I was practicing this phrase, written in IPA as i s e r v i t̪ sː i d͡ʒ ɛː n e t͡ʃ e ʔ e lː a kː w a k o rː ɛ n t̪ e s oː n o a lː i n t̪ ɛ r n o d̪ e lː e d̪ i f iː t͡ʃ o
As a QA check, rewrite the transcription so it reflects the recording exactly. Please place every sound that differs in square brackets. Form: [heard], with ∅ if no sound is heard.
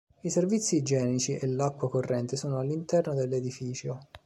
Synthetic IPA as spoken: i s e r v i t̪ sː i d͡ʒ ɛː n [i] t͡ʃ [i] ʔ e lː a kː w a k o rː ɛ n t̪ e s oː n o a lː i n t̪ ɛ r n o d̪ e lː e d̪ i f iː t͡ʃ o